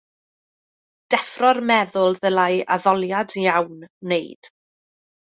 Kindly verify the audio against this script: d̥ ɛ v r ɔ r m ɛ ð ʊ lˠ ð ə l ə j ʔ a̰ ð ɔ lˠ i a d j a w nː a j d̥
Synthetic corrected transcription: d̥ ɛ f r ɔ r m ɛ ð ʊ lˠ ð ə l a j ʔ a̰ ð ɔ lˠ j a d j a w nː e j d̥

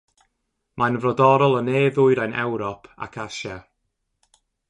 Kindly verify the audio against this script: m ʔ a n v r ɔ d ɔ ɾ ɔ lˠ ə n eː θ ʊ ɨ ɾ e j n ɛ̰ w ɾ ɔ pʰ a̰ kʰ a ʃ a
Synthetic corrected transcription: m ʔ a n v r ɔ d ɔ ɾ ɔ lˠ ə n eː ð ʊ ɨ ɾ a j n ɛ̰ w ɾ ɔ pʰ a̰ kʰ a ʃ a

